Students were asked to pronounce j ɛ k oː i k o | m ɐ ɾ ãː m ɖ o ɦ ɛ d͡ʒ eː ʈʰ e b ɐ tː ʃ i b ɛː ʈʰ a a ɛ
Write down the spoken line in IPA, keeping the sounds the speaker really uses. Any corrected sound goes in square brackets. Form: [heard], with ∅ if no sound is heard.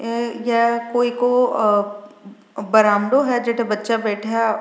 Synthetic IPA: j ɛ k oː i k o | [b] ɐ ɾ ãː m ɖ o ɦ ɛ d͡ʒ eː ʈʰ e b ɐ tː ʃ [a] b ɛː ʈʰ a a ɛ